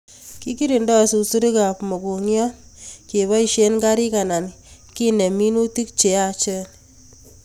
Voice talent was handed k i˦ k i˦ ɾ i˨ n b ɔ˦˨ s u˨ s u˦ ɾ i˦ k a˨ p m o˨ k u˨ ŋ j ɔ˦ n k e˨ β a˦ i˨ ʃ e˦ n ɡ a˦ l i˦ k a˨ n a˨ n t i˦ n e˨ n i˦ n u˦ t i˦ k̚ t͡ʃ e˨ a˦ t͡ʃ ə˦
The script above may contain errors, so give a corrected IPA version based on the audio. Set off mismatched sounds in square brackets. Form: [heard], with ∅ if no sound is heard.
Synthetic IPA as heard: k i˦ k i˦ ɾ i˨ n [d] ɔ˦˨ s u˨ s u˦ ɾ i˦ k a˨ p m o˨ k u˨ ŋ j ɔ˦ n k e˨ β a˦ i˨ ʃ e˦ n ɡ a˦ [ɾ] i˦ k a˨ n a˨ n [k] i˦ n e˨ [m] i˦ n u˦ t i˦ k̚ t͡ʃ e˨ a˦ t͡ʃ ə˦